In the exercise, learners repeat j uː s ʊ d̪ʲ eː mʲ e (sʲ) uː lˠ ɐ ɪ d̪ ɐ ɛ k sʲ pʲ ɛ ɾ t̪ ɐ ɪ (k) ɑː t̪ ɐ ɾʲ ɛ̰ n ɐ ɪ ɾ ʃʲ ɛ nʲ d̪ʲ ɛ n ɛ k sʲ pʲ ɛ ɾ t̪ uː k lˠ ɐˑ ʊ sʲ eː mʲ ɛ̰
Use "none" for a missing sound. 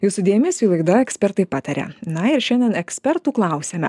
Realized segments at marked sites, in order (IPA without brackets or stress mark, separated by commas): sʲ, p